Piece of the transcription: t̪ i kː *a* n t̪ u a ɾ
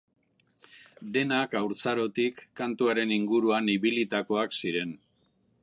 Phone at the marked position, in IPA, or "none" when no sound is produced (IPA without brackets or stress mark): a